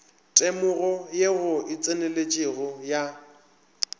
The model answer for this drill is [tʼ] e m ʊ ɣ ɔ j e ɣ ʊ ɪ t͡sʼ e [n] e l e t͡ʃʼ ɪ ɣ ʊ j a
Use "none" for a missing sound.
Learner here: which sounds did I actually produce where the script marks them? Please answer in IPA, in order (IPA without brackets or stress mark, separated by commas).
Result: tʼ, n